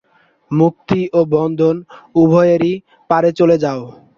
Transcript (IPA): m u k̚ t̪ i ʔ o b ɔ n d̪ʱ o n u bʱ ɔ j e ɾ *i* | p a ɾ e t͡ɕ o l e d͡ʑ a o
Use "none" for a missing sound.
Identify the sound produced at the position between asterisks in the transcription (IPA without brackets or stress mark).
i